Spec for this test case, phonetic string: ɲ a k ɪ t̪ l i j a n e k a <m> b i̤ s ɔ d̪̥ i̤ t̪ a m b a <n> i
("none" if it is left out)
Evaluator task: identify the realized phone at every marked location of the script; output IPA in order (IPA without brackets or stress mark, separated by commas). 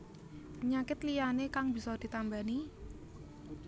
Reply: ŋ, n